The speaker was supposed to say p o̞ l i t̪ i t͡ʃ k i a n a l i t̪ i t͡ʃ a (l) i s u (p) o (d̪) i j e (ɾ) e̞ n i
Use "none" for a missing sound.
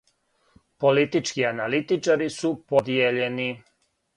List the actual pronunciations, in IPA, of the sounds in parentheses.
ɾ, p, d̪, ʎ

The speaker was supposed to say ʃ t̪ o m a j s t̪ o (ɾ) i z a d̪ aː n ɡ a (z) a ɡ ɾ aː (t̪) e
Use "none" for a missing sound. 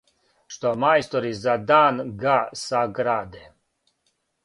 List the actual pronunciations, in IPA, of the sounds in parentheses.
ɾ, s, d̪

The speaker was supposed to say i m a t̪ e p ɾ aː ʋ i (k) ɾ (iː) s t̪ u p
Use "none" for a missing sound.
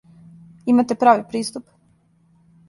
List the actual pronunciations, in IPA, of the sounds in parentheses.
p, iː

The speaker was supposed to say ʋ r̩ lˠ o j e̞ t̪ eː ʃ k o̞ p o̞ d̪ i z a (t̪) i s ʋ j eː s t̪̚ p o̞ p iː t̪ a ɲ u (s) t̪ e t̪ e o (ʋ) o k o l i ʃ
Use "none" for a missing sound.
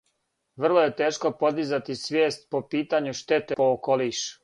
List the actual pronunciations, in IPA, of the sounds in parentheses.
t̪, ʃ, none

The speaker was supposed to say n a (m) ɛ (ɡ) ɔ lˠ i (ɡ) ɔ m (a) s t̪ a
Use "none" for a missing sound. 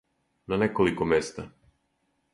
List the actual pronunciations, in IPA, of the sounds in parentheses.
n, k, k, ɛ

